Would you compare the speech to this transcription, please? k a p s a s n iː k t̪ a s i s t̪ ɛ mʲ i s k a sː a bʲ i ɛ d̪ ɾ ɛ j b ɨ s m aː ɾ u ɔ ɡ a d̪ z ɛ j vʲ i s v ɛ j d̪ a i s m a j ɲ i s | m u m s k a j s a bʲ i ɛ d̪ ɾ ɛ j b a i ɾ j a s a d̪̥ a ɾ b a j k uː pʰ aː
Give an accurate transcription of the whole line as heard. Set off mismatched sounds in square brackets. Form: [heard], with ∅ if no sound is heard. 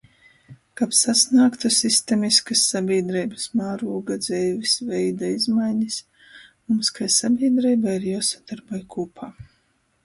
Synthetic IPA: k a p s a s n [aː] k t̪ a s i s t̪ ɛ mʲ i s k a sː a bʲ i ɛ d̪ ɾ ɛ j b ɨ s m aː ɾ u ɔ ɡ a d̪ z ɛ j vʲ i s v ɛ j d̪ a i [z] m a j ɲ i s | m u m s k a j s a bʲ i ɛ d̪ ɾ ɛ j b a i ɾ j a s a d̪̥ a ɾ b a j k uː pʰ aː

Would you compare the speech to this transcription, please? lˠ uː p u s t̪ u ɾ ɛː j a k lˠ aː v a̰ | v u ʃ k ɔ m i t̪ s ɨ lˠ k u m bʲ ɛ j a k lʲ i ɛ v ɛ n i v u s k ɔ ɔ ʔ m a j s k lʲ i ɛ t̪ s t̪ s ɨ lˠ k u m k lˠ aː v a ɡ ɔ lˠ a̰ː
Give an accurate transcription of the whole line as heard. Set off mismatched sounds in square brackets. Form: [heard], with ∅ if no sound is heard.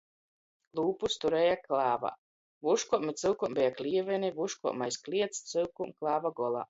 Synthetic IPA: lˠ uː p u s t̪ u ɾ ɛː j a k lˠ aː v a̰ | v u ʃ k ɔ m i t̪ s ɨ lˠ k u m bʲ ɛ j a k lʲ i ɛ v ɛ n i v u [ʃ] k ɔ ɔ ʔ m a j s k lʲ i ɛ t̪ s t̪ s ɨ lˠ k u m k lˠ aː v a ɡ ɔ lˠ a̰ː

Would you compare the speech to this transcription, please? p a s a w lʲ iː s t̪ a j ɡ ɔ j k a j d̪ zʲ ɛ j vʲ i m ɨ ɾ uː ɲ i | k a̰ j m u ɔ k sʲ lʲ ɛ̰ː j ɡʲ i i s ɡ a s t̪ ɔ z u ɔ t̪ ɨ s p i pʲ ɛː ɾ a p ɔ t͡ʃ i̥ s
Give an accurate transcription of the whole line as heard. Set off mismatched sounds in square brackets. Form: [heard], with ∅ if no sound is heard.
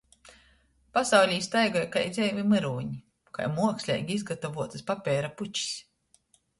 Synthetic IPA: p a s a w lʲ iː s t̪ a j ɡ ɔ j k a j d̪ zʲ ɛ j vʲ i m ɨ ɾ uː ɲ i | k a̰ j m u ɔ k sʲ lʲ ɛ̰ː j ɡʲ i i [z] ɡ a [∅] t̪ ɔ [v] u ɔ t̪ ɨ s p [a] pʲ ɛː ɾ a p [u] t͡ʃ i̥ s

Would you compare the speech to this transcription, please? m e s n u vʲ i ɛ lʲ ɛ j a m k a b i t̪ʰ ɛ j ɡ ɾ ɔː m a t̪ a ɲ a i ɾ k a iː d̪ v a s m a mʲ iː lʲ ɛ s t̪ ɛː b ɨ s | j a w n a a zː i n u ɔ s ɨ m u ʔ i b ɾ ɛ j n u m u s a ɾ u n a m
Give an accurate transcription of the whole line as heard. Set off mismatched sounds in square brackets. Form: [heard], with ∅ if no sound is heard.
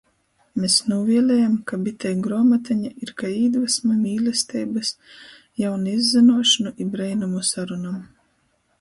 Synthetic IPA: m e s n u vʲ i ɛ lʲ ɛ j a m k a b i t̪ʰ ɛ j ɡ ɾ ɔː m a t̪ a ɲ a i ɾ k a iː d̪ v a s m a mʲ iː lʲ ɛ s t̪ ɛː b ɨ s | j a w n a [i] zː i n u ɔ [ʃ] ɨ [n] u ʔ i b ɾ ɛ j n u m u s a ɾ u n a m

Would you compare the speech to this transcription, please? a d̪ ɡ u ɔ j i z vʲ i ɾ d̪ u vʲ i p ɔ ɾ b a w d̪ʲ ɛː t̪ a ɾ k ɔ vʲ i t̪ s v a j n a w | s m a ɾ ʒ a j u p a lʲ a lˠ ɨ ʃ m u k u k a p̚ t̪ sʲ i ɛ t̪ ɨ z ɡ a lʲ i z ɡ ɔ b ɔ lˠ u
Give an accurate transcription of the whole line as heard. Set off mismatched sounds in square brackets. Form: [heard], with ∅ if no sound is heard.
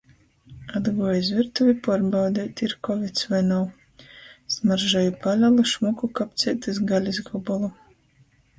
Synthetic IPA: a d̪ ɡ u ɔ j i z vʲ i ɾ [t̪] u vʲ i p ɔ ɾ b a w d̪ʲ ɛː t̪ [i] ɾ k ɔ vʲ i t̪ s v a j n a w | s m a ɾ ʒ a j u p a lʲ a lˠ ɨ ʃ m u k u k a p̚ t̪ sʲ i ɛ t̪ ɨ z ɡ a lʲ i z ɡ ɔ b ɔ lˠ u

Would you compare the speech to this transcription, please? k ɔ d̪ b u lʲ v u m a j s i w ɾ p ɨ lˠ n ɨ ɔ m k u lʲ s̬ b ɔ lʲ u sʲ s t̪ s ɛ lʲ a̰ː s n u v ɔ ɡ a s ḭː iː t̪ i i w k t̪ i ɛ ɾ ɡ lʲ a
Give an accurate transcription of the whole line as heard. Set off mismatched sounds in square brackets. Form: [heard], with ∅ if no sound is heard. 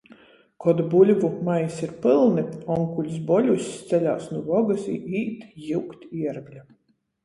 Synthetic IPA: k ɔ d̪ b u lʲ v u m a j s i [∅] ɾ p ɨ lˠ n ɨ ɔ [ŋ] k u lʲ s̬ b ɔ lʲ u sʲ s t̪ s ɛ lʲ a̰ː s n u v ɔ ɡ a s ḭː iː t̪ [j] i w k t̪ i ɛ ɾ ɡ lʲ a

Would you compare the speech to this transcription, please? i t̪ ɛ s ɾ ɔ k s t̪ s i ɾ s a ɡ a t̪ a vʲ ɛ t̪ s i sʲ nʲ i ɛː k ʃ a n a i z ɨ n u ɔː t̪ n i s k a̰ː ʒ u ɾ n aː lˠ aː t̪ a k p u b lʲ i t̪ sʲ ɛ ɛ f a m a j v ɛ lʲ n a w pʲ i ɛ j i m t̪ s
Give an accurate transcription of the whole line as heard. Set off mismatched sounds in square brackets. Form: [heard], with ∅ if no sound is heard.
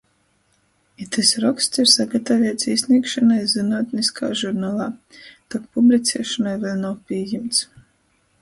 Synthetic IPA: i t̪ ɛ s ɾ ɔ k s t̪ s i ɾ s a ɡ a t̪ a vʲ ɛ t̪ s i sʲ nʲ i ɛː k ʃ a n a [j] z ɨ n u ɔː t̪ n i s k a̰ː ʒ u ɾ n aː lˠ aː t̪ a k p u b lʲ i t̪ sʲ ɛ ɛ [ʃ] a [n] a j v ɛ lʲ n a w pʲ i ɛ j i m t̪ s

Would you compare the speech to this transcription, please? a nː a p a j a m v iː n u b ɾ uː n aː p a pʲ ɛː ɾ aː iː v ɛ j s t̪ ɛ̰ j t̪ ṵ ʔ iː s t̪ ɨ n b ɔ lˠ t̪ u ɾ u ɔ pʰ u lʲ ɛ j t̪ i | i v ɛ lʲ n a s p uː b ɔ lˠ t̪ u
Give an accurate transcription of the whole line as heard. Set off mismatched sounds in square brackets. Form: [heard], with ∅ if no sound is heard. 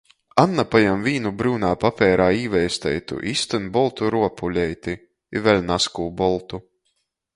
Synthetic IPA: a nː a p a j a m v iː n u b ɾ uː n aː p a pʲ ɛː ɾ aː iː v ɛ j s t̪ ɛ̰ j t̪ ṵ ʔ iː s t̪ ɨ n b ɔ lˠ t̪ u ɾ u ɔ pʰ u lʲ ɛ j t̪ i | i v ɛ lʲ n a s [k] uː b ɔ lˠ t̪ u

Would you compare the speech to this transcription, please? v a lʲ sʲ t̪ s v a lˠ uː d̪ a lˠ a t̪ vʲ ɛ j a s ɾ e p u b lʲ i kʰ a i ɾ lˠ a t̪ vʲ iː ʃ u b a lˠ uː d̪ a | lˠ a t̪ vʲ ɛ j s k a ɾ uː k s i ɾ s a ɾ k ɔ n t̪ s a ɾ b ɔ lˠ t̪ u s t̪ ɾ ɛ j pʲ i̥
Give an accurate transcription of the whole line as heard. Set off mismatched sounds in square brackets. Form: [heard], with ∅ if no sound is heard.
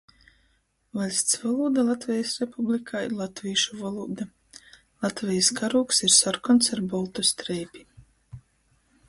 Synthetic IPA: v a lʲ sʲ t̪ s v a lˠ uː d̪ a lˠ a t̪ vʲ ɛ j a s ɾ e p u b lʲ i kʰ a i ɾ lˠ a t̪ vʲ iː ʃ u [v] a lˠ uː d̪ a | lˠ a t̪ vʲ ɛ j s k a ɾ uː k s i ɾ s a ɾ k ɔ n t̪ s a ɾ b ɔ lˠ t̪ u s t̪ ɾ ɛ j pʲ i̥

